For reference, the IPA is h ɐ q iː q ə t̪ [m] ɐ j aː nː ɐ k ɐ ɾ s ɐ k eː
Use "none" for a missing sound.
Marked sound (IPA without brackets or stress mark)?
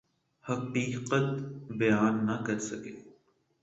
b